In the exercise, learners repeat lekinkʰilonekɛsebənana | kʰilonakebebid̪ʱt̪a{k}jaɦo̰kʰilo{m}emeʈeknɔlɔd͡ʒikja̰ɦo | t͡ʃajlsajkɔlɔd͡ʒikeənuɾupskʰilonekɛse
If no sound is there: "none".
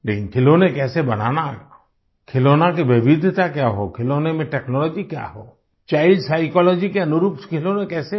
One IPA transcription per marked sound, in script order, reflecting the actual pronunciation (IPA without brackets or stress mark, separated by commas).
k, n